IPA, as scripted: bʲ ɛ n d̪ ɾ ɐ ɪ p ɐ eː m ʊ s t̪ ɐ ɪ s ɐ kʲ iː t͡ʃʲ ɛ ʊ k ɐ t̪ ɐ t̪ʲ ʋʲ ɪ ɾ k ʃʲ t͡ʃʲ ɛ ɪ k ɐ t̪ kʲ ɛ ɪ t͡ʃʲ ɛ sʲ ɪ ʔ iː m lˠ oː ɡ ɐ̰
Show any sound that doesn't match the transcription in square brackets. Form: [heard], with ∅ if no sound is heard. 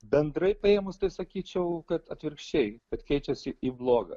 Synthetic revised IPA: bʲ ɛ n d̪ ɾ ɐ ɪ p ɐ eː m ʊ s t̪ ɐ ɪ s ɐ kʲ iː t͡ʃʲ ɛ ʊ k ɐ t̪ ɐ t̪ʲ ʋʲ ɪ ɾ k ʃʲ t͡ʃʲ ɛ ɪ k ɐ t̪ kʲ ɛ ɪ t͡ʃʲ ɛ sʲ ɪ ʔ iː [b] lˠ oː ɡ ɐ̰